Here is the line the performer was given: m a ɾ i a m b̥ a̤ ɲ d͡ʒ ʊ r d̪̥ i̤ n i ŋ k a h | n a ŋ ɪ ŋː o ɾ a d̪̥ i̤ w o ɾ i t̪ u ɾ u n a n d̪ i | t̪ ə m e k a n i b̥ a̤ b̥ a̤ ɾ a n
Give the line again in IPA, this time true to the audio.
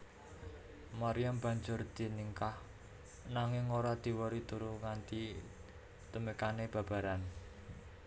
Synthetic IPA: m a ɾ i a m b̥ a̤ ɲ d͡ʒ ʊ r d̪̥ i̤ n i ŋ k a h | n a ŋ ɪ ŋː o ɾ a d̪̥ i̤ w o ɾ i t̪ u ɾ u ŋ a n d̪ i | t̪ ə m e k a n e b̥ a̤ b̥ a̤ ɾ a n